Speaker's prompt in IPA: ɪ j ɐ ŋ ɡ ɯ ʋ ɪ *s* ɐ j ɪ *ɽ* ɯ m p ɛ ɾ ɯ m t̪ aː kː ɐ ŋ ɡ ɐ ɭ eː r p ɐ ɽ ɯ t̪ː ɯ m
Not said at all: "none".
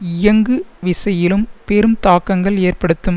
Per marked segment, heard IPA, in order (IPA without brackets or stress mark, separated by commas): s, l